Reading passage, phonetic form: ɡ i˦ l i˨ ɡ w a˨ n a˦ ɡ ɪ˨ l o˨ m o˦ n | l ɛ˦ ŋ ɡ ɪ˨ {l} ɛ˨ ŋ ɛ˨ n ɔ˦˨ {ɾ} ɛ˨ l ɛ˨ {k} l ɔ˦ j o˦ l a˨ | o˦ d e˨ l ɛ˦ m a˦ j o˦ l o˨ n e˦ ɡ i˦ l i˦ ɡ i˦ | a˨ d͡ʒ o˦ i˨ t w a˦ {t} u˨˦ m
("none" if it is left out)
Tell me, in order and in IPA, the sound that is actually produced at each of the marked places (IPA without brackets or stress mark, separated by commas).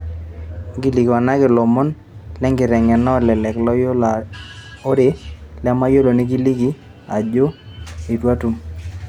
ɾ, l, k, t